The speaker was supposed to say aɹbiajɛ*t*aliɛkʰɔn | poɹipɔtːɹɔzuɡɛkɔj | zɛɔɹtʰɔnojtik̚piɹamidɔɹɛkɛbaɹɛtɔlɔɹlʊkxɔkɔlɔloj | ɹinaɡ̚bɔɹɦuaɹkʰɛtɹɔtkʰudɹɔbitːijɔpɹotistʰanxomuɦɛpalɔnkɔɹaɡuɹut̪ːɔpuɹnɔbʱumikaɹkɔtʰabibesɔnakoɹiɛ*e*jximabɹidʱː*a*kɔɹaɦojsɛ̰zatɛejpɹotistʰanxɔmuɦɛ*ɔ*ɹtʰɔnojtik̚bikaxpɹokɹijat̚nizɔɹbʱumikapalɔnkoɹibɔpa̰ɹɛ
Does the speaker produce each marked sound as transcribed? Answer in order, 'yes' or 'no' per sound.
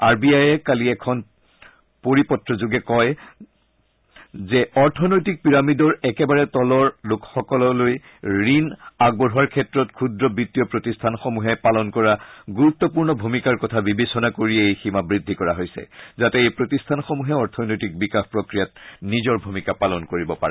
no, yes, no, yes

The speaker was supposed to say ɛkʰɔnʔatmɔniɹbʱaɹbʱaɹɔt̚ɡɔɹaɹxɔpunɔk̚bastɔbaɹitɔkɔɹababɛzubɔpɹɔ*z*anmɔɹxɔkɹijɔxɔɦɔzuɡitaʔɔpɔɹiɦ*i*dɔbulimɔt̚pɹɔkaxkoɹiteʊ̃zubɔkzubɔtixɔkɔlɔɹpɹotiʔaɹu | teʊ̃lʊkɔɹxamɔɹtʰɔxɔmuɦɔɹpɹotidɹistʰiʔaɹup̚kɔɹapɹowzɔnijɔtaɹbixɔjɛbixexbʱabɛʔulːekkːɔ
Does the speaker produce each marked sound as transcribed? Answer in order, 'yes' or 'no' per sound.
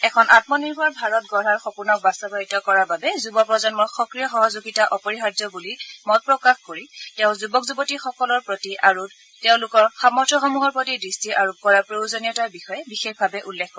yes, no

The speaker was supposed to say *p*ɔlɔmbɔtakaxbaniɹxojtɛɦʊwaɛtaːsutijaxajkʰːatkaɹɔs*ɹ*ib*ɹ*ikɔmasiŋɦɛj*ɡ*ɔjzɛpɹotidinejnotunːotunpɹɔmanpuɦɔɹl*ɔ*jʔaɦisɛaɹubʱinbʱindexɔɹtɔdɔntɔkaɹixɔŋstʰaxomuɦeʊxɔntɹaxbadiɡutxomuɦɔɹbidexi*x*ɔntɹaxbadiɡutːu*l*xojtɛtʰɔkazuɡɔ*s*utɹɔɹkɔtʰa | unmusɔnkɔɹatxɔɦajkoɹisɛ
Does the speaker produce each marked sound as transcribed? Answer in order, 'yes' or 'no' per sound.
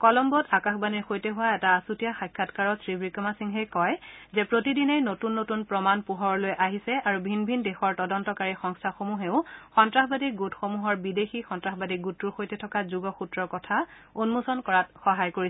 no, yes, yes, no, no, yes, no, no

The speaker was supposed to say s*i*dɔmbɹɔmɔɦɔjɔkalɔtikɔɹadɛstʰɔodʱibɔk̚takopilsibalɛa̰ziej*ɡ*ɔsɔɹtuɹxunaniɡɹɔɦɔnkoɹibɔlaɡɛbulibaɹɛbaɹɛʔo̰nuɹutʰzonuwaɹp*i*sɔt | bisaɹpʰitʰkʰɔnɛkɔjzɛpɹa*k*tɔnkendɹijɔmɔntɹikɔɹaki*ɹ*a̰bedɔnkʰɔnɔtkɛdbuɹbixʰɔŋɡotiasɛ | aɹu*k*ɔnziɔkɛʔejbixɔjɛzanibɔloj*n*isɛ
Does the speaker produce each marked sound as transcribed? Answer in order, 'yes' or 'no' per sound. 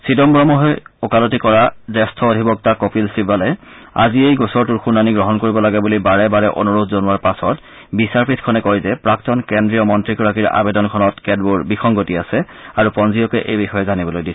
yes, yes, no, yes, yes, no, no

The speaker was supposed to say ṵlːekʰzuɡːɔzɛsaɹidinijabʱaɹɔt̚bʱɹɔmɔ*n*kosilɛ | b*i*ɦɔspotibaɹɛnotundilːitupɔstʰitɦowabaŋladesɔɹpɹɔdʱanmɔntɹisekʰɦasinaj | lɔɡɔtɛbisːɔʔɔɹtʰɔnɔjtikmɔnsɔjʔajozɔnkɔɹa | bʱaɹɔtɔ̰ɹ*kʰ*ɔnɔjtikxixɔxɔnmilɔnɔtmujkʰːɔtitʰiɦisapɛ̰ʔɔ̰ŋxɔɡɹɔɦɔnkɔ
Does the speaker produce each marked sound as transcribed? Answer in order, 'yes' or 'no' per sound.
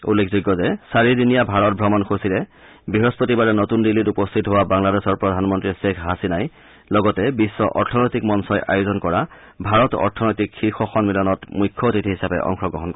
yes, yes, no

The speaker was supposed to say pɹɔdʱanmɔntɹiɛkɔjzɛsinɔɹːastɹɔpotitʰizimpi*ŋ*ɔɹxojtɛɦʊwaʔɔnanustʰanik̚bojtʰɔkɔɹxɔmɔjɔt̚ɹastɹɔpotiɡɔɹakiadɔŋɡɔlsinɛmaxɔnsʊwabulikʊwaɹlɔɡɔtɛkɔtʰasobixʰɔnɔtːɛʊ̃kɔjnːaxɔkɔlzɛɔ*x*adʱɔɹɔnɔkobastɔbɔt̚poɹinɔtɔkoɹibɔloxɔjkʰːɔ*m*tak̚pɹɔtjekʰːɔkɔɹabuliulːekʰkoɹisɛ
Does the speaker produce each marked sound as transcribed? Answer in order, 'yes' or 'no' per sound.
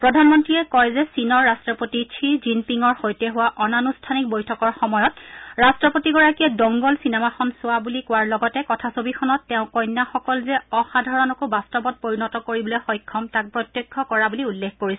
yes, yes, yes

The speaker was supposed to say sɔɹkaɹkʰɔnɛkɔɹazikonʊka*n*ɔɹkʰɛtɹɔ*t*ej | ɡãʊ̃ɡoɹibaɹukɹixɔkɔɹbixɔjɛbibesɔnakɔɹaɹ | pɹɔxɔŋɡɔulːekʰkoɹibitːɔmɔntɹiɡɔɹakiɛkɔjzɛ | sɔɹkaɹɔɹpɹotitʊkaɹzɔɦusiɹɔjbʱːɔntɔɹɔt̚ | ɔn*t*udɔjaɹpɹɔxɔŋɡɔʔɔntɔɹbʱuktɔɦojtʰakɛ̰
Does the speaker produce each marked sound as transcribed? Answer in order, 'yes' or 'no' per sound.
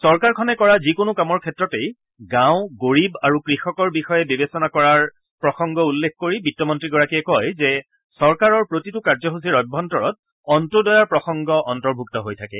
no, yes, yes

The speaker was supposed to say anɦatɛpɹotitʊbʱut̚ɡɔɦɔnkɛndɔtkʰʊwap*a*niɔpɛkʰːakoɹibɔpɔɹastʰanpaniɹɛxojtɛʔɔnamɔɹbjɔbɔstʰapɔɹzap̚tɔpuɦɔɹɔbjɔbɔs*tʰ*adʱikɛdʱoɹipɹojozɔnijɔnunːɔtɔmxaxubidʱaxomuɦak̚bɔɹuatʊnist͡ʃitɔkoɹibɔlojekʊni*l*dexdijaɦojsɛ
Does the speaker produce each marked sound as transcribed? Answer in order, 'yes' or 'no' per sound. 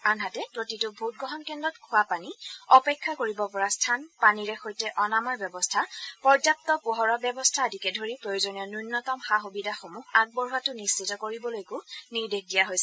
yes, yes, no

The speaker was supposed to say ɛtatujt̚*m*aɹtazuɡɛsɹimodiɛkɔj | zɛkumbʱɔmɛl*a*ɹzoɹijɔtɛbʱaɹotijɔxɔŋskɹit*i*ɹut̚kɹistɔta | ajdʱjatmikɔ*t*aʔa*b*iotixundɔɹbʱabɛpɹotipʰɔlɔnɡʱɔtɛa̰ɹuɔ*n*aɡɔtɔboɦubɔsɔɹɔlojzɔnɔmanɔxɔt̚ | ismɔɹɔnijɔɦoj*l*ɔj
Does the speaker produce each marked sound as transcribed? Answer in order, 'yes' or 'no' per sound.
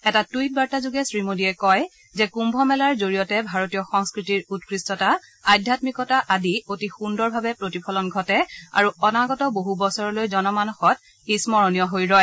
no, yes, yes, yes, no, yes, no

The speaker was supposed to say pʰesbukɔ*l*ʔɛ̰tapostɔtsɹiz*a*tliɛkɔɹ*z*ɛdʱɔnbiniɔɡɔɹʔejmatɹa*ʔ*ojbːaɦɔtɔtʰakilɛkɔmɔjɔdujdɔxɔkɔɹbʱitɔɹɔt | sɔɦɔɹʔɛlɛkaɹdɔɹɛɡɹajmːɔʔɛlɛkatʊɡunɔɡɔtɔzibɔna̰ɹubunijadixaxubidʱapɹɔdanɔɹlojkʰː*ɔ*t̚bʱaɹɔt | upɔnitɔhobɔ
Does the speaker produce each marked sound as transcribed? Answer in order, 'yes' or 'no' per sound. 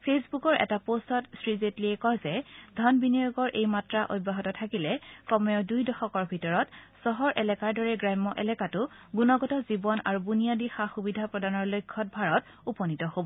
no, no, yes, yes, yes

